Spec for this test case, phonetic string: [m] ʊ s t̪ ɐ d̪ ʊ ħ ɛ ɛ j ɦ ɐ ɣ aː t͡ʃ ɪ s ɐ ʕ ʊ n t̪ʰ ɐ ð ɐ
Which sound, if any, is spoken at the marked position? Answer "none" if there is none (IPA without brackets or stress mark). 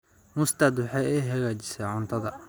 m